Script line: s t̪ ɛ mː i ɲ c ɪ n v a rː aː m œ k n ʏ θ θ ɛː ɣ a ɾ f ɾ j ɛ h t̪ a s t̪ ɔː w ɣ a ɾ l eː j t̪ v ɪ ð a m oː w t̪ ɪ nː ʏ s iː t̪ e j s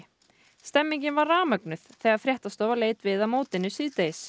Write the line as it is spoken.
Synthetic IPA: s t̪ ɛ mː i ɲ c ɪ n v a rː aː m œ k n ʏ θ θ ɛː ɣ a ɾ f ɾ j ɛ h t̪ a s t̪ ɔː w v a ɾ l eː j t̪ v ɪ ð a m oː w t̪ ɪ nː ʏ s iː t̪ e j s